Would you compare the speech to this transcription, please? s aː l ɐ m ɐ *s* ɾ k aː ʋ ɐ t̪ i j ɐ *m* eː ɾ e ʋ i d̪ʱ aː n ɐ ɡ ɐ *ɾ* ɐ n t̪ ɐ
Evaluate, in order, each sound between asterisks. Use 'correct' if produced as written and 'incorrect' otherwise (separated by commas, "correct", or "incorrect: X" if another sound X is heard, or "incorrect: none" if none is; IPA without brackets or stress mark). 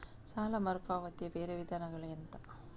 incorrect: none, incorrect: b, incorrect: ɭ